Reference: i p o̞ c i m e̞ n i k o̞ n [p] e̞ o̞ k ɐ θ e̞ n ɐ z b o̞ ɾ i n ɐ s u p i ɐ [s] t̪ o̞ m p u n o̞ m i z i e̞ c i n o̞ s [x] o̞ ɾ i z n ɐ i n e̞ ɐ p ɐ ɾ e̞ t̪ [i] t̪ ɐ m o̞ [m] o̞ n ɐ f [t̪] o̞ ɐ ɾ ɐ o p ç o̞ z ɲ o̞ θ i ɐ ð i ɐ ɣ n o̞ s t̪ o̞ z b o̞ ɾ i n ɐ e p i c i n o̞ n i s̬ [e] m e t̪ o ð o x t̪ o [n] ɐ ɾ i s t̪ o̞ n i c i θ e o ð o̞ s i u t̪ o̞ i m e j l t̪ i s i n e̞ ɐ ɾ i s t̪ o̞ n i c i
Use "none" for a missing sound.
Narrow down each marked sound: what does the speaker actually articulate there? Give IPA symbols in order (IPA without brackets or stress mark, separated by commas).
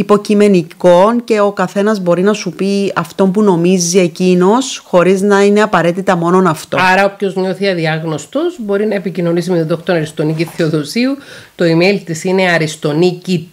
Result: c, f, x, i, n, t̪, i, n